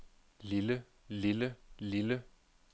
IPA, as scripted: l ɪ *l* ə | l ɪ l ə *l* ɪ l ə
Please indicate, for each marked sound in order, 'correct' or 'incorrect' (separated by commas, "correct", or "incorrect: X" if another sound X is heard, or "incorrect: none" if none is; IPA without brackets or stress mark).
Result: correct, correct